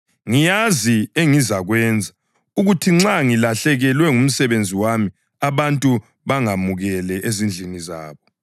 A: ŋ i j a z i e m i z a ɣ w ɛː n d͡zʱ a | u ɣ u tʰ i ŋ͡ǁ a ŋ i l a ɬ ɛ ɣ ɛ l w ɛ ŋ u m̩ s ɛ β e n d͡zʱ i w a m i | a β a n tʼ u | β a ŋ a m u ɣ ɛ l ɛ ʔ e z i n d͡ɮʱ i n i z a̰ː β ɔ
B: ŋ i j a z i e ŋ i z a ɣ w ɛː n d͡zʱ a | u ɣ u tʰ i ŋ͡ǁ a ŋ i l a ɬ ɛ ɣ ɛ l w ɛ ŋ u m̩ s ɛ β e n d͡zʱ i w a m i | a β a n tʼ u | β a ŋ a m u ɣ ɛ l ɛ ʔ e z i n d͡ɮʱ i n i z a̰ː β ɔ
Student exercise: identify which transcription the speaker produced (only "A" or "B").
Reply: B